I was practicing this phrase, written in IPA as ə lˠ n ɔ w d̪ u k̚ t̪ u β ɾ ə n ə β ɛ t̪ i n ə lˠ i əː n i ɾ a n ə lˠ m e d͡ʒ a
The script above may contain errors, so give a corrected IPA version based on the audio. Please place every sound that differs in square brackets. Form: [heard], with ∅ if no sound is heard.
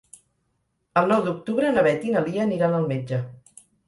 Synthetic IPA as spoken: ə lˠ n ɔ w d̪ u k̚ t̪ u β ɾ ə n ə β ɛ t̪ i n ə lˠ i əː n i ɾ a n ə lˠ m e d͡ʒ [ə]